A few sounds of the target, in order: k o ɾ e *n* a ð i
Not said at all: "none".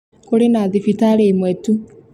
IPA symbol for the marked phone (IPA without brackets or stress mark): n